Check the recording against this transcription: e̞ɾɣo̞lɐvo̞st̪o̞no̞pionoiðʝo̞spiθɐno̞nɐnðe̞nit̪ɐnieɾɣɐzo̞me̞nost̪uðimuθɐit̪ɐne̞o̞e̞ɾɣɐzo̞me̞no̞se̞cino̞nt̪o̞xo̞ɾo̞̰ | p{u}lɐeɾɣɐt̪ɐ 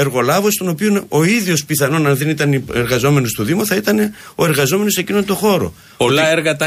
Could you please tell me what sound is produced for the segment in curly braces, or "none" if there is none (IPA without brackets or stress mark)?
o